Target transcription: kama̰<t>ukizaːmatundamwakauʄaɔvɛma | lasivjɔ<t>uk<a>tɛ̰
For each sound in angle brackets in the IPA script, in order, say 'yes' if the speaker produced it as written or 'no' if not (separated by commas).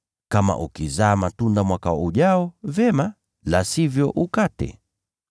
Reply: no, no, yes